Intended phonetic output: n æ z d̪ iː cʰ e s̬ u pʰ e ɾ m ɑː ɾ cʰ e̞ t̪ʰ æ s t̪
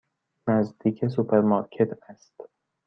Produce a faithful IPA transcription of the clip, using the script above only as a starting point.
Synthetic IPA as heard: n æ z d̪ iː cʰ e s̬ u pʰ e ɾ m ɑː ɾ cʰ e̞ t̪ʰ æ s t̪